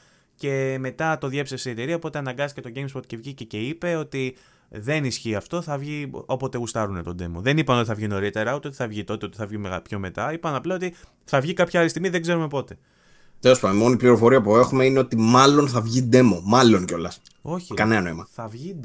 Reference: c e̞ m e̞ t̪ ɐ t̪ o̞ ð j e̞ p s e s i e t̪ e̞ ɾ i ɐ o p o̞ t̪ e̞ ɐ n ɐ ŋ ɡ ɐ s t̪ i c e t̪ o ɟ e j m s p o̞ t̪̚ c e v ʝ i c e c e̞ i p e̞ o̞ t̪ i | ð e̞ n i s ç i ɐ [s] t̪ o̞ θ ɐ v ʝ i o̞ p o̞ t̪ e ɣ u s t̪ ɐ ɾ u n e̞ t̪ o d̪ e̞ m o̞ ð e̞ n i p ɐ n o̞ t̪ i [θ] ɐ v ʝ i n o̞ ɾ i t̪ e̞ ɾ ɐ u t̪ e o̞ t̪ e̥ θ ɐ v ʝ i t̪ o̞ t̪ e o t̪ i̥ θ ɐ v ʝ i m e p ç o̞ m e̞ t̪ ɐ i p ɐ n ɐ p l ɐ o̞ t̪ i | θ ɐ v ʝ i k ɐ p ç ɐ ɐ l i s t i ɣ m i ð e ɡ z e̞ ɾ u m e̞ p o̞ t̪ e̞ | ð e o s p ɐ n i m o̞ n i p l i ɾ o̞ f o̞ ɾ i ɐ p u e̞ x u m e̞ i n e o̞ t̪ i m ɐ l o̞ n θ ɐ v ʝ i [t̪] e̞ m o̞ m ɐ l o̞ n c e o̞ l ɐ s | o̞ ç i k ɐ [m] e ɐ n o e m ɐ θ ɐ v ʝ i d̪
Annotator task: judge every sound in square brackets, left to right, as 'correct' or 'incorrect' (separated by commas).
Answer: incorrect, correct, incorrect, incorrect